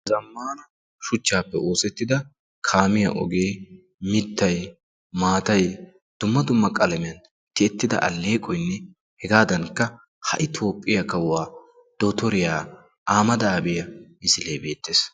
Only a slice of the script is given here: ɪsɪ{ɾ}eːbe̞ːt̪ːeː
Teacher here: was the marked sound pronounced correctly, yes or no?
no